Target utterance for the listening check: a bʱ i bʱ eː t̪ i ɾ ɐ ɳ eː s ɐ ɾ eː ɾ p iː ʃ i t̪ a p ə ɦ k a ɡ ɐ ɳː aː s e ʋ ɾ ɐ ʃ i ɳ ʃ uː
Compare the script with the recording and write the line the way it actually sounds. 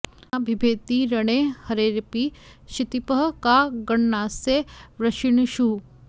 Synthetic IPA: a bʱ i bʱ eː t̪ i ɾ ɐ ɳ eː h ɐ ɾ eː ɾ p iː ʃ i t̪ i p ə ɦ k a ɡ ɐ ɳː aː s e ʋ ɾ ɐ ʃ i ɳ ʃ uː